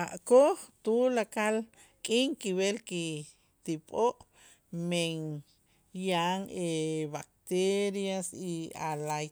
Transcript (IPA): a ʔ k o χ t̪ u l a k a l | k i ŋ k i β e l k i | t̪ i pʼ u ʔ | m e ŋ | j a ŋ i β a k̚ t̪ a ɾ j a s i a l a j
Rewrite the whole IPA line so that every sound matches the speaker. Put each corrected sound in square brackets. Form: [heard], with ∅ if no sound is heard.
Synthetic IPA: a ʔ k o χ t̪ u l a k a l | [kʼ] i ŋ k i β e l k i | t̪ i pʼ [o] ʔ | m e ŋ | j a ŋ [e] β a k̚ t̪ [e] ɾ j a s i a l a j